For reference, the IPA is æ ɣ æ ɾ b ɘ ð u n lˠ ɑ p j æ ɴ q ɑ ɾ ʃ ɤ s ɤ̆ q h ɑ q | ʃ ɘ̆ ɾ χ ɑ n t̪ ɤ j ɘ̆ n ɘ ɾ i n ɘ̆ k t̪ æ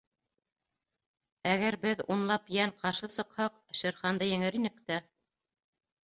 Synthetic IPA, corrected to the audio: æ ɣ æ ɾ b ɘ ð u n lˠ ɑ p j æ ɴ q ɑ ɾ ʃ ɤ s ɤ̆ q h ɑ q | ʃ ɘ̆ ɾ χ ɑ n d̪ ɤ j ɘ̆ ŋ ɘ ɾ i n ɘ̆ k t̪ æ